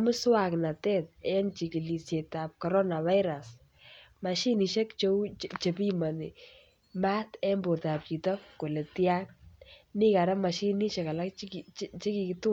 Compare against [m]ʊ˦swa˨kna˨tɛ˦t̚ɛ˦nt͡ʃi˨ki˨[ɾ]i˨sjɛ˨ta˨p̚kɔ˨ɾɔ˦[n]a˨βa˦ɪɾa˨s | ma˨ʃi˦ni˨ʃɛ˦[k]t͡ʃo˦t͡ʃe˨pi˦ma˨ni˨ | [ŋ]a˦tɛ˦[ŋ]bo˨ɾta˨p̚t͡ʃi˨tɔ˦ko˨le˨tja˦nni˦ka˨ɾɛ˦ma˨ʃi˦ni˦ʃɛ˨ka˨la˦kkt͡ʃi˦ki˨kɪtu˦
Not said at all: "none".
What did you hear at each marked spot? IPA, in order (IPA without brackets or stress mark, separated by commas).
m, l, n, k, m, m